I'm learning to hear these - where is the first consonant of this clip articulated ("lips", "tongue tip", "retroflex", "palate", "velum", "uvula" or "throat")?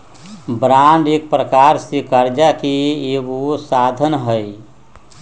lips